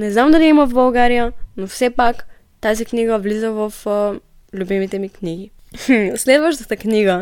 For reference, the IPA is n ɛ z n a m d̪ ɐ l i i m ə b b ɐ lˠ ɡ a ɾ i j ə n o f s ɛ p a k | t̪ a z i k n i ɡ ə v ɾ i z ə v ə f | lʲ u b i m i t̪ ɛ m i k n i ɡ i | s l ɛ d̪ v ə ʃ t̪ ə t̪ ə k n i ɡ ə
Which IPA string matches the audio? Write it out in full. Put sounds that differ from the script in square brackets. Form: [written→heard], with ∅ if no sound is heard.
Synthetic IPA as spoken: n ɛ z n a m d̪ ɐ l i i m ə [b→v] b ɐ lˠ ɡ a ɾ i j ə n o f s ɛ p a k | t̪ a z i k n i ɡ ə v [ɾ→l] i z ə v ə f | lʲ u b i m i t̪ ɛ m i k n i ɡ i | s l ɛ d̪ v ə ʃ t̪ ə t̪ ə k n i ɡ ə